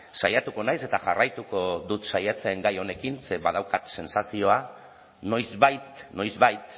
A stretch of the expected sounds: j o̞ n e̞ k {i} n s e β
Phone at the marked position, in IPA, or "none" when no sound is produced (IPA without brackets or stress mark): i